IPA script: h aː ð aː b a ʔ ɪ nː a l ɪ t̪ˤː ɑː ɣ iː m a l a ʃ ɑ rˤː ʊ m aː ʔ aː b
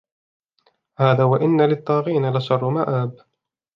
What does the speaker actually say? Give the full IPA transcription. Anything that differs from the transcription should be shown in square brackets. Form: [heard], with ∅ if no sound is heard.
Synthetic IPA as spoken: h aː ð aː [w] a ʔ ɪ nː a l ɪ t̪ˤː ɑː ɣ iː [n] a l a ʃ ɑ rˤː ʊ m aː ʔ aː b